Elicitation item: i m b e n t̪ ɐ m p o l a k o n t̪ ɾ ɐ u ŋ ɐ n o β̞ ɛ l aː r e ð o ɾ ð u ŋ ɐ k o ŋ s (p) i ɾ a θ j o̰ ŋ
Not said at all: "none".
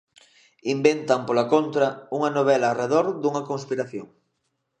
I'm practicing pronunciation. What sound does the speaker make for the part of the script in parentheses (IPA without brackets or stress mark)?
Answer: p